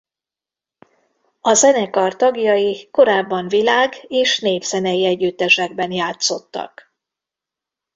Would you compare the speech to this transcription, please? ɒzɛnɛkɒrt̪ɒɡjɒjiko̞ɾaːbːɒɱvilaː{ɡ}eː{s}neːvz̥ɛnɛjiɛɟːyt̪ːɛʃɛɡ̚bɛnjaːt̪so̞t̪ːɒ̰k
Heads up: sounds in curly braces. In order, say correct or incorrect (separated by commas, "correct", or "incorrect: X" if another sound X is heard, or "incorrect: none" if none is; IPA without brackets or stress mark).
correct, incorrect: ʃ